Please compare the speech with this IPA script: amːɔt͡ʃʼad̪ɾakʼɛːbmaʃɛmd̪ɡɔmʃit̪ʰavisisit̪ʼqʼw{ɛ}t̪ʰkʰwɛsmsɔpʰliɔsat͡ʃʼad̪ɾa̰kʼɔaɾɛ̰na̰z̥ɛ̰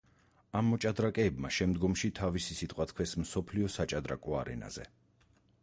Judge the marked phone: incorrect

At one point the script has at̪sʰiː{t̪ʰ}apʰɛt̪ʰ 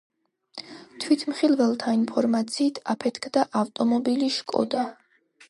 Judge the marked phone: correct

